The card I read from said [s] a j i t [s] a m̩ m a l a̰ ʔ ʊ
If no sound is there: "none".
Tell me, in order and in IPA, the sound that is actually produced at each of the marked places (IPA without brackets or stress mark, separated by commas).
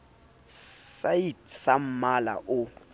s, s